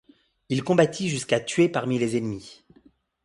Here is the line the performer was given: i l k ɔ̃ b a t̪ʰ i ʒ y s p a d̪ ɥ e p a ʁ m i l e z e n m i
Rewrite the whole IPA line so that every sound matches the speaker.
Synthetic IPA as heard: i l k ɔ̃ b a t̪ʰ i ʒ y s k a t̪ ɥ e p a ʁ m i l e z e n m i